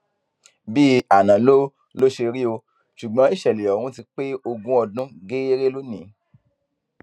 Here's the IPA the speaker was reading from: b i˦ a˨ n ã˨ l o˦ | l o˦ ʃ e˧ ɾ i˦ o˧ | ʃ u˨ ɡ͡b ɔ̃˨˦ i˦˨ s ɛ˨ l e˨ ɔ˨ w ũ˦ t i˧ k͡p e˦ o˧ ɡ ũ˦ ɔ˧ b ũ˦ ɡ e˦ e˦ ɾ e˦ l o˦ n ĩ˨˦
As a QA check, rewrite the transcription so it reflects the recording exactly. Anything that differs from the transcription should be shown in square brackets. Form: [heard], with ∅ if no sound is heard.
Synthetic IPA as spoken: b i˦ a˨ n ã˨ l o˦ | l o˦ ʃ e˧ ɾ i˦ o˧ | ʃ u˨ ɡ͡b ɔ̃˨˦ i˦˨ [ʃ] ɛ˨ l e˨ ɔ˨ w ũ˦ t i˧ k͡p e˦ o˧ ɡ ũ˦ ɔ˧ [d] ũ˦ ɡ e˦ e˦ ɾ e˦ l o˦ n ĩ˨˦